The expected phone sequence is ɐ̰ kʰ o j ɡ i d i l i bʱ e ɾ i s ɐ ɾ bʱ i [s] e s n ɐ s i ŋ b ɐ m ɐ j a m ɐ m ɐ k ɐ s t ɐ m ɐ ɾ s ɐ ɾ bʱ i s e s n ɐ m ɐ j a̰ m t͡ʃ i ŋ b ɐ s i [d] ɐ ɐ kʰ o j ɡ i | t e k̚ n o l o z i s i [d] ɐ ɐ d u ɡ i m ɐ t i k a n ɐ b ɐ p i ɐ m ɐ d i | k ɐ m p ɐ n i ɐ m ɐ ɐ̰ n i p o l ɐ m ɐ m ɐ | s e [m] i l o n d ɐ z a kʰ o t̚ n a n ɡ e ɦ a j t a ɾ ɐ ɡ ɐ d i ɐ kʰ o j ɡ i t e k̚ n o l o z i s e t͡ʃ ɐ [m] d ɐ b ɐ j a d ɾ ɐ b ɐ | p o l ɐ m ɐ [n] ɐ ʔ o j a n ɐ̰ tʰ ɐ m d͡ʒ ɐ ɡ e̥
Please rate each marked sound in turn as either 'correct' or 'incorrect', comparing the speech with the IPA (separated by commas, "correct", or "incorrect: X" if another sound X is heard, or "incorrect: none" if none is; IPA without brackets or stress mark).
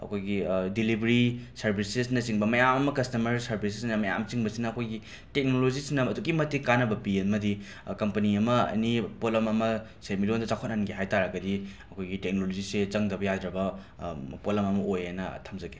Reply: correct, incorrect: n, incorrect: n, correct, incorrect: ŋ, incorrect: m